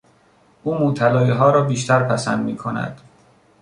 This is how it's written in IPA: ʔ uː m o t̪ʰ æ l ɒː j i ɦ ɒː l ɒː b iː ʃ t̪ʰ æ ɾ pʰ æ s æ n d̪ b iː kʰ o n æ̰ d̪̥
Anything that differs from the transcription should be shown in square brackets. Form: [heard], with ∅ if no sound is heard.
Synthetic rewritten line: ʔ uː m o t̪ʰ æ l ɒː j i ɦ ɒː [ɾ] ɒː b iː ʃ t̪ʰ æ ɾ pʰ æ s æ n d̪ [m] iː kʰ o n æ̰ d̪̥

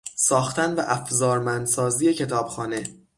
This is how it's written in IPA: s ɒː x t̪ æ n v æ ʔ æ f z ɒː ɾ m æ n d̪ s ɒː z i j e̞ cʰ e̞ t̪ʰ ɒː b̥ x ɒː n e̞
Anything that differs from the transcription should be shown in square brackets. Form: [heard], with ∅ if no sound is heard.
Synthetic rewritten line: s ɒː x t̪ æ n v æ ʔ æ f z ɒː ɾ m æ n d̪ s ɒː z i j e̞ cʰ e̞ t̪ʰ ɒː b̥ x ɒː n e̞

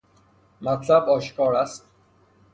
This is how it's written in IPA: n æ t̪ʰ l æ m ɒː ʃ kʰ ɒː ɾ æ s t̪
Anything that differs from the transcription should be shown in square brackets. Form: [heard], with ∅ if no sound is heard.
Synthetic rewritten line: [m] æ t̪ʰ l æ [b] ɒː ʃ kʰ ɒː ɾ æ s t̪

